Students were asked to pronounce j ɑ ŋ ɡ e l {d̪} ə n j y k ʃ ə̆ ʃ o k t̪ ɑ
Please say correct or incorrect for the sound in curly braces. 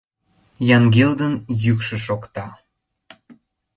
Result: correct